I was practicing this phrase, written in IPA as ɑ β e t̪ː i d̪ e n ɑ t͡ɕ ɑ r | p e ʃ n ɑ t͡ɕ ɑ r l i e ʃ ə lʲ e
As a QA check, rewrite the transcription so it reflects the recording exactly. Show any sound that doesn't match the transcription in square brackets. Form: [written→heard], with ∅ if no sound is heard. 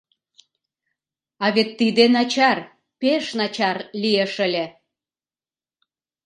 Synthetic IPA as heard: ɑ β e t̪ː i d̪ e n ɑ t͡ɕ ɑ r | p e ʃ n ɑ t͡ɕ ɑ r l i e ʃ ə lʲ e